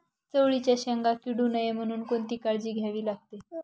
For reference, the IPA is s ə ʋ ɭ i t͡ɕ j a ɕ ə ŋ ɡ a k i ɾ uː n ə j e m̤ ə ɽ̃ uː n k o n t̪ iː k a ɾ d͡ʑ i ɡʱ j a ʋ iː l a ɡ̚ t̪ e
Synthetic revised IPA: t͡s ə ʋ ɭ i t͡ɕ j a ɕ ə ŋ ɡ a k i ɽ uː n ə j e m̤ ə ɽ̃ uː n k o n t̪ iː k a ɭ d͡ʑ iː ɡʱ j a ʋ iː l a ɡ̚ t̪ e